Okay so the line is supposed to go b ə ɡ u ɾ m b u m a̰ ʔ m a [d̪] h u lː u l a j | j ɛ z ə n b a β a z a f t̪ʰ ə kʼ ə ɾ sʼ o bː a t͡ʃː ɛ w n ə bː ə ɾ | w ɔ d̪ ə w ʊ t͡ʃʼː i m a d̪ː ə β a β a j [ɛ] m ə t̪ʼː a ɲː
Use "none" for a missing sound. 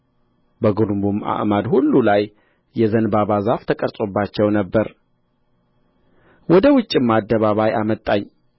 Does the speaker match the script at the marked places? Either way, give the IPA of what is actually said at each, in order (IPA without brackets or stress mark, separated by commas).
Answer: d̪, a